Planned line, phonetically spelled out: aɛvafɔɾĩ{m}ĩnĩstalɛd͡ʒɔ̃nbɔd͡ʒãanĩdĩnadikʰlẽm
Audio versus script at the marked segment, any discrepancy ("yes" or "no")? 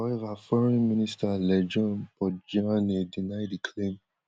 no